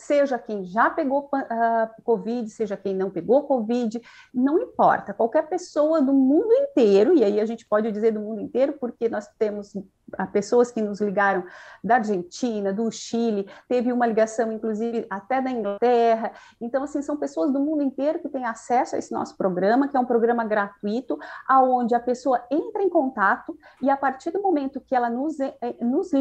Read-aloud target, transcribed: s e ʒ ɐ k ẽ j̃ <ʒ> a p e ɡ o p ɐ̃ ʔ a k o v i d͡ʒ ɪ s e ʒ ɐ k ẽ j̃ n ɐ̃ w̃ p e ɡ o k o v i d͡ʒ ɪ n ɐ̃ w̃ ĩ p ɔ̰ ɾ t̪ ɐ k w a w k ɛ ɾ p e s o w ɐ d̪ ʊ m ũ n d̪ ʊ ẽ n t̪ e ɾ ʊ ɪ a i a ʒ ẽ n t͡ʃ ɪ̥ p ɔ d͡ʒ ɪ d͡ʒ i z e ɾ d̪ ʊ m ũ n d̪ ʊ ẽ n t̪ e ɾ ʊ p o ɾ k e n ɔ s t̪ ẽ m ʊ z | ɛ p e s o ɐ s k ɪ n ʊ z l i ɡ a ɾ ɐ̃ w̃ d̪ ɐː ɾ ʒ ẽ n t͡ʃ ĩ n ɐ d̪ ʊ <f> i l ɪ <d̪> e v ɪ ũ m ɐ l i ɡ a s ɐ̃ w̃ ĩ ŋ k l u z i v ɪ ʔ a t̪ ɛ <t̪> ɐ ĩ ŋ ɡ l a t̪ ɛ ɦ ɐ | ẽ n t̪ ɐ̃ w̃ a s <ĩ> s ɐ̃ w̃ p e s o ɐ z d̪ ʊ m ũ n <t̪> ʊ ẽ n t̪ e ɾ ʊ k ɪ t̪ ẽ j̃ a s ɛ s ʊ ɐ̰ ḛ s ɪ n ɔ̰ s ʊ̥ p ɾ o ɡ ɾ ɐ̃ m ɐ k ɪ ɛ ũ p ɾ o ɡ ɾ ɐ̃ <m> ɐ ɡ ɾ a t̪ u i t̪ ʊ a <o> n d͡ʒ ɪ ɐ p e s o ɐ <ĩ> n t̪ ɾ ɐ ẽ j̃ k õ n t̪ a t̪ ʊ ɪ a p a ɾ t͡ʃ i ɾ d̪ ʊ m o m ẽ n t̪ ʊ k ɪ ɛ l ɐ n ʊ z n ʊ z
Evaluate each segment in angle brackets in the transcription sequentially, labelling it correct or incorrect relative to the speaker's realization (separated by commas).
correct, incorrect, incorrect, incorrect, correct, incorrect, correct, incorrect, incorrect